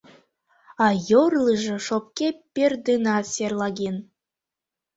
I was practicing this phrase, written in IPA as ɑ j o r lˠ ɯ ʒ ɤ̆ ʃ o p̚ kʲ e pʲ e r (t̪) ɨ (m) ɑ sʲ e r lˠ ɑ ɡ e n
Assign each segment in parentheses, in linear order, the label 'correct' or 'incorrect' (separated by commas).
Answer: incorrect, incorrect